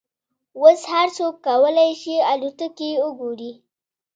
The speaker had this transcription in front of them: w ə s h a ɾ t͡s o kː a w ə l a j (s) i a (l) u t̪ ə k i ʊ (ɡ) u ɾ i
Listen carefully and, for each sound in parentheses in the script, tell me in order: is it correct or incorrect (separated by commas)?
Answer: incorrect, correct, correct